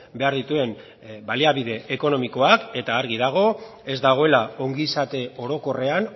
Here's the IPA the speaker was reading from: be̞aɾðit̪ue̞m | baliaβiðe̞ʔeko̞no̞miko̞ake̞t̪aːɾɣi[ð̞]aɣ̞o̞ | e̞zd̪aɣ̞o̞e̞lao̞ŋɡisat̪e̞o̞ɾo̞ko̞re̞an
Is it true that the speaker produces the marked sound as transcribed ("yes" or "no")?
yes